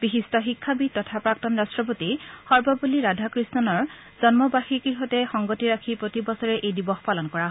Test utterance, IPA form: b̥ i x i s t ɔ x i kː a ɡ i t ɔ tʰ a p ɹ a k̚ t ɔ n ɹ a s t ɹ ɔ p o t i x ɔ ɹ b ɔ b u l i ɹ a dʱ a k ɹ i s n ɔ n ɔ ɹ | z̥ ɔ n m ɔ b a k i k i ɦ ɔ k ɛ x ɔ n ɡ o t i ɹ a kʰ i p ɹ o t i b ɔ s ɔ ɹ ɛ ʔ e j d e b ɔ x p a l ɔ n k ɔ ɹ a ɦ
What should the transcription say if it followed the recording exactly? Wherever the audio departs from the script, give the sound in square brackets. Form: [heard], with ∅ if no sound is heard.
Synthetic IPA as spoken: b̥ i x i s t ɔ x i [kʰː] a [b] i t ɔ tʰ a p ɹ a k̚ t ɔ n ɹ a s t ɹ ɔ p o t i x ɔ ɹ b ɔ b u l i ɹ a dʱ a k ɹ i s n ɔ n ɔ ɹ | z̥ ɔ n m ɔ b a [x] i k i ɦ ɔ [t] ɛ x ɔ [ŋ] ɡ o t i ɹ a kʰ i p ɹ o t i b ɔ s ɔ ɹ ɛ ʔ e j d [i] b ɔ x p a l ɔ n k ɔ ɹ a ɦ

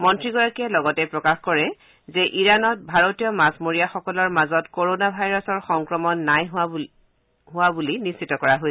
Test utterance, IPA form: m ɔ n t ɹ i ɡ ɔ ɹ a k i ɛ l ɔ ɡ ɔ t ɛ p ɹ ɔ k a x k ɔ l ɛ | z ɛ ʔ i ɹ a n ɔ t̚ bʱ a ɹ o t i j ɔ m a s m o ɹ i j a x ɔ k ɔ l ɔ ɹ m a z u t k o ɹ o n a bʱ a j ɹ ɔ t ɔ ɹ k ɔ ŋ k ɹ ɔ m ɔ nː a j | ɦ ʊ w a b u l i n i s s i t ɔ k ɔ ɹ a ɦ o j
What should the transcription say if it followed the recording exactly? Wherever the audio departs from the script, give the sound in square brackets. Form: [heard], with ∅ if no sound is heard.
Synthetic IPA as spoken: m ɔ n t ɹ i ɡ ɔ ɹ a k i ɛ l ɔ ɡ ɔ t ɛ p ɹ ɔ k a x k ɔ [ɹ] ɛ | z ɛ ʔ i ɹ a n ɔ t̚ bʱ a ɹ o t i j ɔ m a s m o ɹ i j a x ɔ k ɔ l ɔ ɹ m a z [ɔ] t k o ɹ o n a bʱ a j ɹ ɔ [s] ɔ ɹ [x] ɔ ŋ k ɹ ɔ m ɔ nː a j | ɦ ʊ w a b u l i n i s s i t ɔ k ɔ ɹ a ɦ o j

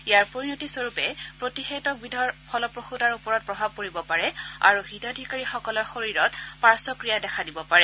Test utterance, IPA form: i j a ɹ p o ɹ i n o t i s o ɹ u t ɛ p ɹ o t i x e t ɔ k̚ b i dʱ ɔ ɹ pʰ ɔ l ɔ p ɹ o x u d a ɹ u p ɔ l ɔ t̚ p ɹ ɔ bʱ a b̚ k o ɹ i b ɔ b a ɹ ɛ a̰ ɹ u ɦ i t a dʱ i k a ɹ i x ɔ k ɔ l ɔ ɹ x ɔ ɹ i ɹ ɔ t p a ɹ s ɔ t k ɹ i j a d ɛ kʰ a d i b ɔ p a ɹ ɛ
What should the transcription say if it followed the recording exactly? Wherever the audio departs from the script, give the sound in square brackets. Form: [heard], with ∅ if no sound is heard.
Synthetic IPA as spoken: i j a ɹ p o ɹ i n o t i s o ɹ u [p] ɛ p ɹ o t i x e t ɔ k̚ b i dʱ ɔ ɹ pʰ ɔ l ɔ p ɹ o x u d a ɹ u p ɔ [ɹ] ɔ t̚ p ɹ ɔ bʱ a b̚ k o ɹ i b ɔ [p] a ɹ ɛ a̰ ɹ u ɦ i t a dʱ i k a ɹ i x ɔ k ɔ l ɔ ɹ x [o] ɹ i ɹ ɔ t p a ɹ s ɔ [∅] k ɹ i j a d ɛ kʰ a d i b ɔ p a ɹ ɛ

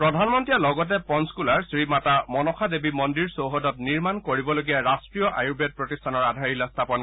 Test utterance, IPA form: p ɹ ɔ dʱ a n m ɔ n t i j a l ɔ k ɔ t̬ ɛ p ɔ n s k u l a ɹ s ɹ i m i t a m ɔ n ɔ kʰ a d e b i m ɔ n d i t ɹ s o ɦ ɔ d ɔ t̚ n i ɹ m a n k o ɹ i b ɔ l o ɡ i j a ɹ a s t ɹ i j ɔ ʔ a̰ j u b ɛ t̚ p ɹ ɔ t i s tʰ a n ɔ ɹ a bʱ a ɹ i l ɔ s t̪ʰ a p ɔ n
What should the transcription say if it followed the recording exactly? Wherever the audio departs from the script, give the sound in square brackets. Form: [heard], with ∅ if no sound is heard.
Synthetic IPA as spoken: p ɹ ɔ dʱ a n m ɔ n t i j a l ɔ [ɡ] ɔ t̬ ɛ p ɔ n s k u l a ɹ s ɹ i m [a] t a m ɔ n ɔ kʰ a d e b i m ɔ n d i [∅] ɹ s o ɦ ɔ d ɔ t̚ n i ɹ m a n k o ɹ i b ɔ l o ɡ i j a ɹ a s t ɹ i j ɔ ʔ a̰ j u b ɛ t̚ p ɹ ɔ t i s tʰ a n ɔ ɹ a [dʱ] a ɹ i l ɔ s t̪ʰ a p ɔ n

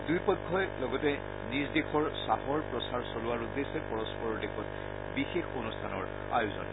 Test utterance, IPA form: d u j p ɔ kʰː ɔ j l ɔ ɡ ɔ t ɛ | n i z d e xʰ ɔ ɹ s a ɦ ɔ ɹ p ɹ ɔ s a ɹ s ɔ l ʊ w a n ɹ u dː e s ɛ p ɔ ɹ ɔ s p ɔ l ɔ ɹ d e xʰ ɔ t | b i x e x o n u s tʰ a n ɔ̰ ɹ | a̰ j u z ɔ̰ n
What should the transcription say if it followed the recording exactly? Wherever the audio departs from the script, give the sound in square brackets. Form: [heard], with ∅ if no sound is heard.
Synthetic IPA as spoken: d u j p ɔ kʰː ɔ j l ɔ ɡ ɔ t ɛ | n i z d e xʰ ɔ ɹ s a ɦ ɔ ɹ p ɹ ɔ s a ɹ s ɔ l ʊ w a [∅] ɹ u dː e s ɛ p ɔ ɹ ɔ s p ɔ [ɹ] ɔ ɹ d e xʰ ɔ t | b i x e x o n u s tʰ a n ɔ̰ ɹ | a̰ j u z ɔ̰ n

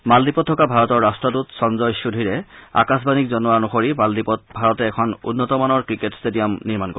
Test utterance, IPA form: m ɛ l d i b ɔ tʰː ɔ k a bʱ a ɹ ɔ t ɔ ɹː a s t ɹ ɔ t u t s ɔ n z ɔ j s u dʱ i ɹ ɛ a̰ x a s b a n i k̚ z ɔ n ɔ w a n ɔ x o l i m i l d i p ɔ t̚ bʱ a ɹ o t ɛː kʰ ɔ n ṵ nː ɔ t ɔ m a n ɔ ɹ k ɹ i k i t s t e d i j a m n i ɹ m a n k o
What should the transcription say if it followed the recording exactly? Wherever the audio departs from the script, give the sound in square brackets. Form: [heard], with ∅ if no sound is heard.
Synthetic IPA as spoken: m [a] l d i [p] ɔ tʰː ɔ k a bʱ a ɹ ɔ t ɔ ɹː a s t ɹ ɔ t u t s ɔ n z ɔ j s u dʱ i ɹ ɛ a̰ [k] a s b a n i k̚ z ɔ n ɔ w a n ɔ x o [ɹ] i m [a] l d i p ɔ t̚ bʱ a ɹ [ɔ] t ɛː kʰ ɔ n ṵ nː ɔ t ɔ m a n ɔ ɹ k ɹ i k [e] t s t e d i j a m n i ɹ m a n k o

